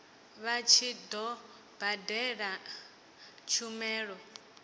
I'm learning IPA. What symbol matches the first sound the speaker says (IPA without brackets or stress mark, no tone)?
β